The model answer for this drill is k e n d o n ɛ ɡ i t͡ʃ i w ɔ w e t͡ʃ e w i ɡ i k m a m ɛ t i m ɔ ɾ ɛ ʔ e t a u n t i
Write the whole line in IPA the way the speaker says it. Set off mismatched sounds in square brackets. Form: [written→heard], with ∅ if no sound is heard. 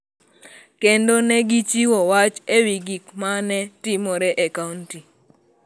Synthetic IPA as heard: k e n d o n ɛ ɡ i t͡ʃ i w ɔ w [e→a] t͡ʃ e w i ɡ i k m a [m→n] ɛ t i m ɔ ɾ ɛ ʔ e [t→k] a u n t i